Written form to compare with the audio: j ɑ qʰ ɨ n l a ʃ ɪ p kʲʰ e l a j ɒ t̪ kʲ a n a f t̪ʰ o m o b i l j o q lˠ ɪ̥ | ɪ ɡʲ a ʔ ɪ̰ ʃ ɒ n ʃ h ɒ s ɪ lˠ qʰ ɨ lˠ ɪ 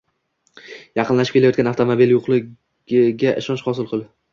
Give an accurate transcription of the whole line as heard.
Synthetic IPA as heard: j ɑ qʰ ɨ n l a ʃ ɪ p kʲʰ e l a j ɒ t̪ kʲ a n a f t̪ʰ o m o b i l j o q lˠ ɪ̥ | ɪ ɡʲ a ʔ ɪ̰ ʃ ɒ n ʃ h ɒ s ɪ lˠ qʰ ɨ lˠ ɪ